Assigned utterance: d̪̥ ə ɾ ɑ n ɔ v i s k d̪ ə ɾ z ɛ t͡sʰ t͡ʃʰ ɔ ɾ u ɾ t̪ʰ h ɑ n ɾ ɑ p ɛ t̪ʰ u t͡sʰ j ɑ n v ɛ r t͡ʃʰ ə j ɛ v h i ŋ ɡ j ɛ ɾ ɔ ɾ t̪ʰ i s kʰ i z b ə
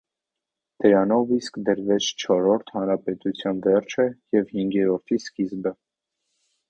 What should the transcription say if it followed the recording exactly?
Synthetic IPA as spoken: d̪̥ ə ɾ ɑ n ɔ v i s k d̪ ə ɾ v ɛ t͡sʰ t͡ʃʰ ɔ ɾ ɔ ɾ t̪ʰ h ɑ n ɾ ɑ p ɛ t̪ u t͡sʰ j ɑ n v ɛ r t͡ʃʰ ə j ɛ v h i ŋ ɡ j ɛ ɾ ɔ ɾ t̪ʰ i s k i z b ə

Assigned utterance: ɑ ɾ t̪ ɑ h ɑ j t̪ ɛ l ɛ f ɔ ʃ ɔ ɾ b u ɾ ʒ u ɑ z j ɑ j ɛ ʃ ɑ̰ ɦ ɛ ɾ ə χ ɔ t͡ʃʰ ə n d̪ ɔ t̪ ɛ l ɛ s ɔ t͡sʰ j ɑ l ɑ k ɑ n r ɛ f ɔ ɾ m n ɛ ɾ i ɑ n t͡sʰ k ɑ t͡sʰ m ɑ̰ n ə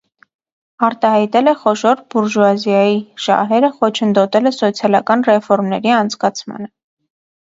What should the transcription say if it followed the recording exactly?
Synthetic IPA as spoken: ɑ ɾ t̪ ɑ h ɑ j t̪ ɛ l ɛ χ ɔ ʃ ɔ ɾ b u ɾ ʒ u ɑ z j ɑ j i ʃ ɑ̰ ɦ ɛ ɾ ə χ ɔ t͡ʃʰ ə n d̪ ɔ t̪ ɛ l ɛ s ɔ t͡sʰ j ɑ l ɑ k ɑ n r ɛ f ɔ ɾ m n ɛ ɾ i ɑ n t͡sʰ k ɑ t͡sʰ m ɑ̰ n ə

